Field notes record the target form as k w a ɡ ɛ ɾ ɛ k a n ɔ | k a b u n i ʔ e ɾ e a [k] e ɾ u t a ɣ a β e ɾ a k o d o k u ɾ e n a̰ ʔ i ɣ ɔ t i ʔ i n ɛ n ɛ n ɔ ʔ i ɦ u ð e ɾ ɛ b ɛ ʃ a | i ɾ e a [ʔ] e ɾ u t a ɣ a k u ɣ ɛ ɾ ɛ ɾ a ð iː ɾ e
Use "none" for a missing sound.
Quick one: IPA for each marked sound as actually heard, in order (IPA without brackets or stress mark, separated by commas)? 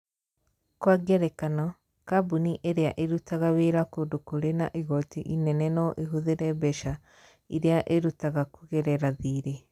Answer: ʔ, ʔ